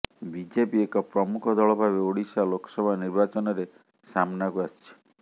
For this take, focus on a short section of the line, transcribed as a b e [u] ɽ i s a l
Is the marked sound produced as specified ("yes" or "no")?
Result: no